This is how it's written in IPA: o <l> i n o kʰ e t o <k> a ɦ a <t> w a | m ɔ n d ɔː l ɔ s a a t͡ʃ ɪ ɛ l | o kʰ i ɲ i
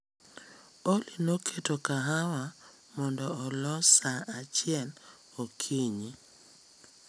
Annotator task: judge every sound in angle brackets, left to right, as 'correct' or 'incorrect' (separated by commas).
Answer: correct, correct, incorrect